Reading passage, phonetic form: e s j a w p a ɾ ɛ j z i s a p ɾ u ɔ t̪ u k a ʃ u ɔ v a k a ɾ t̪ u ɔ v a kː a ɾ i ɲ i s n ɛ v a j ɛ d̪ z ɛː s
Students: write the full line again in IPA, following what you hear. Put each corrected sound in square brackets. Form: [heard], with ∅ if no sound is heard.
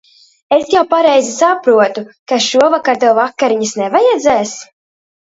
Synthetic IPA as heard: e s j a w p a ɾ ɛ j z i s a p ɾ u ɔ t̪ u k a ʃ u ɔ v a k a ɾ t̪ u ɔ v a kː a ɾ i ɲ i s n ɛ v a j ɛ d̪ z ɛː s